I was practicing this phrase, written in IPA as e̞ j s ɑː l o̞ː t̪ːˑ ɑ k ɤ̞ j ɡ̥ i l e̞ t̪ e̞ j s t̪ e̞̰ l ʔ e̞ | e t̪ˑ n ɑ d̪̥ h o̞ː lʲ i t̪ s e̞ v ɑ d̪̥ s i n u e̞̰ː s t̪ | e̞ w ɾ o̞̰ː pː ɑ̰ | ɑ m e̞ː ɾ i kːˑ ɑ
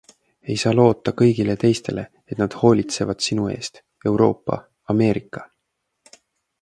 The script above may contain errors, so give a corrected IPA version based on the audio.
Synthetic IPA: e̞ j s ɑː l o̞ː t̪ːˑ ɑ k ɤ̞ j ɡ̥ i l e̞ t̪ e̞ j s t̪ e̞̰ l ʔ e̞ | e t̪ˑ n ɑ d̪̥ h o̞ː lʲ i t̪ s e̞ v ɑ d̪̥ s i n u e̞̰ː s t̪ | e̞ w ɾ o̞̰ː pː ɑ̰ | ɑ m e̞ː ɾ i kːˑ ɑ